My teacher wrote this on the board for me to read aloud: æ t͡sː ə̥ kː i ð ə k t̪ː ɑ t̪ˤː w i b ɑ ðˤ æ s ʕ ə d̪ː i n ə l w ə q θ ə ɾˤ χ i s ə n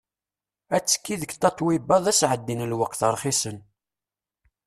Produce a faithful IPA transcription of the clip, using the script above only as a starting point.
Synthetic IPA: æ t͡sː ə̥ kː i ð ə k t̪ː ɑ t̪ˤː w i b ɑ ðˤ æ s ʕ ə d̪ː i n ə l w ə q θ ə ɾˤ χ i s ə n